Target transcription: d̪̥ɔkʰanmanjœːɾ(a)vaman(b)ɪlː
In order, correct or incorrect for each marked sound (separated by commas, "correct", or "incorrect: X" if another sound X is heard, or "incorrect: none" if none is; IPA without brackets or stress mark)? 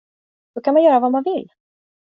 correct, incorrect: v